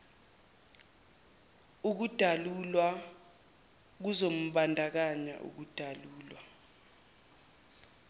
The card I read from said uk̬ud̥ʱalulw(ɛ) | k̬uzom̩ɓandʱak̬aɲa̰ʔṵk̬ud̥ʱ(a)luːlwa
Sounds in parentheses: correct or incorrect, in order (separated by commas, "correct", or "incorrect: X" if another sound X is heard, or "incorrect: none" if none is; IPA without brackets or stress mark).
incorrect: a, correct